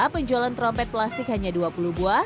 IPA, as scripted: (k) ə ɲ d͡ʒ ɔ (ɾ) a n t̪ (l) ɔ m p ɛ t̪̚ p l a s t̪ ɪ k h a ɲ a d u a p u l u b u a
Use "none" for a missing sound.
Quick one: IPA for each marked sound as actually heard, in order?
p, l, ɾ

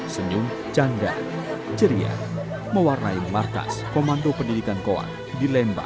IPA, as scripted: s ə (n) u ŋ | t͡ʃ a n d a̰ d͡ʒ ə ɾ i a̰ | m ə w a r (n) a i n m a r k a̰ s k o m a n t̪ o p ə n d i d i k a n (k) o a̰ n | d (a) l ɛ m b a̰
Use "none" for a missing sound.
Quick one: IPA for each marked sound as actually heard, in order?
ɲ, n, k, i

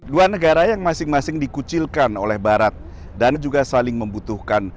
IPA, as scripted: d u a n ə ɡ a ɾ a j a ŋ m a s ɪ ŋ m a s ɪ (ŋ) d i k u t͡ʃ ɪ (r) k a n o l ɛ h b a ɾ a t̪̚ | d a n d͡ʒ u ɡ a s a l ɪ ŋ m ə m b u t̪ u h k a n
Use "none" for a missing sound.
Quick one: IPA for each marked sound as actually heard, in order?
ŋ, l

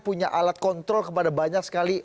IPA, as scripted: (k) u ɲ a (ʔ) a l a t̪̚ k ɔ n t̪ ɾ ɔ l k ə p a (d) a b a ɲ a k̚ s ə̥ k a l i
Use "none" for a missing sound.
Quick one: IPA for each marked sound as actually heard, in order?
p, ʔ, d

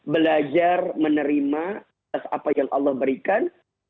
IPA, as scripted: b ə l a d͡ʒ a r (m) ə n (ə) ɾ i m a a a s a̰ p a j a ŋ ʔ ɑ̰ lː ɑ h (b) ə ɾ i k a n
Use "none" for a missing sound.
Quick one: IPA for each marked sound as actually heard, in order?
m, ə, b

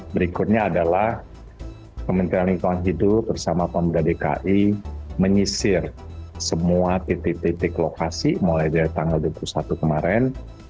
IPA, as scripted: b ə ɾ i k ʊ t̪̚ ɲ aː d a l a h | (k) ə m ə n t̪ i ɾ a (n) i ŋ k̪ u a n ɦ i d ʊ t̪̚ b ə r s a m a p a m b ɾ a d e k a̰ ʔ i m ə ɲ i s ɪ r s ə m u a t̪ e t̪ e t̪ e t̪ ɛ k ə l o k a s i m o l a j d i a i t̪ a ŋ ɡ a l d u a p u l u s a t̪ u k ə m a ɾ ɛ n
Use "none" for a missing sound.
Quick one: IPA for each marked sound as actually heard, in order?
k, n

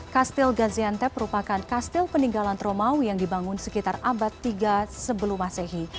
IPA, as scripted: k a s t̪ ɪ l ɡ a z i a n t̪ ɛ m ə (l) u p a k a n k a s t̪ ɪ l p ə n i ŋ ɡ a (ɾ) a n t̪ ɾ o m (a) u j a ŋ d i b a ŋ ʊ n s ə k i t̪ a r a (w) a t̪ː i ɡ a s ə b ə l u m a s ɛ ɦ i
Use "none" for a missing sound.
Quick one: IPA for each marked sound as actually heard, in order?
ɾ, l, a, b

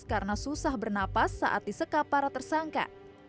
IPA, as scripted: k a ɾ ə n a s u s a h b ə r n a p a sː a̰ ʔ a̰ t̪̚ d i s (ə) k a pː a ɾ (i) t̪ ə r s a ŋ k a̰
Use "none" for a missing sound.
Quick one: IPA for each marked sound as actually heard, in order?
ə, a

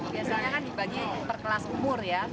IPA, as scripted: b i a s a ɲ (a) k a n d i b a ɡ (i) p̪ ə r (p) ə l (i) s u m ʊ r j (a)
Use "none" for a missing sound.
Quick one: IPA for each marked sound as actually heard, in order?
a, i, k, a, a

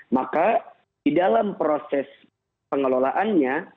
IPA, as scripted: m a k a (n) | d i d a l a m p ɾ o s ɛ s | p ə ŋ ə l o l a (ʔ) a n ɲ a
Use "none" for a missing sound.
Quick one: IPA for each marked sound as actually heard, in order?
none, ʔ

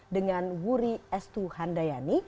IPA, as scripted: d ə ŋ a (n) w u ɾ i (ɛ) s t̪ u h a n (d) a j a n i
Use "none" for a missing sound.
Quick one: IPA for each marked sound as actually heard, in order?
n, ɛ, d

